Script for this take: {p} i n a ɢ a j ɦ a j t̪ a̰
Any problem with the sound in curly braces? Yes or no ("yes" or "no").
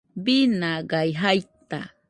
yes